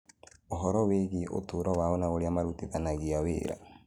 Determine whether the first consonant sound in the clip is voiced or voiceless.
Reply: voiced